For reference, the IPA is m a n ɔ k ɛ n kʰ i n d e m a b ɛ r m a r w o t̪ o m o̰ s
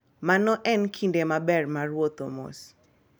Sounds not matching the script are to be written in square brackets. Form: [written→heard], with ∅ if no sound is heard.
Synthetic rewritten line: m a n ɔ [k→ʔ] ɛ n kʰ i n d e m a b ɛ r m a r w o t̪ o m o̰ s